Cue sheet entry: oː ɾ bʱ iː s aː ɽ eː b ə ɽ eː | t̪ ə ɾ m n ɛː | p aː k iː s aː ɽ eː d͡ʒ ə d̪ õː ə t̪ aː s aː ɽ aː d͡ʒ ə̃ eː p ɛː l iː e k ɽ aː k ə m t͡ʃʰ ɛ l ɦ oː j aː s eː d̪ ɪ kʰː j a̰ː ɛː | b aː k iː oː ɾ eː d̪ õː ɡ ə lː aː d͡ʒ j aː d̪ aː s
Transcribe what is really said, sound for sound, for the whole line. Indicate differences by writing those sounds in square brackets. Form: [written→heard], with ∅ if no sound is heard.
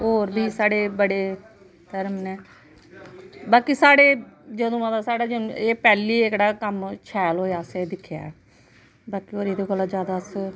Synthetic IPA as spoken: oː ɾ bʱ iː s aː ɽ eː b ə ɽ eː | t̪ ə ɾ m n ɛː | [p→b] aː k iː s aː ɽ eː d͡ʒ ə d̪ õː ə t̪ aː s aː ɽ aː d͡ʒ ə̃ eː p ɛː l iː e k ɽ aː k ə m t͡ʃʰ [ɛ→ɛː] l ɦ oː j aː s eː d̪ ɪ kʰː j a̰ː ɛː | b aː k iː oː ɾ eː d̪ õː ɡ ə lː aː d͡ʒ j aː d̪ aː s